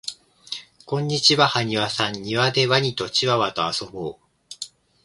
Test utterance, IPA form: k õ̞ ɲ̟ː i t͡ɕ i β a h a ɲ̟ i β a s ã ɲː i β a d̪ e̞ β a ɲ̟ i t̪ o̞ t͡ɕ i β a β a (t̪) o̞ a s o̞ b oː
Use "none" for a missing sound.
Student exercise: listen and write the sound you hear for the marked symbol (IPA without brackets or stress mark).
t̪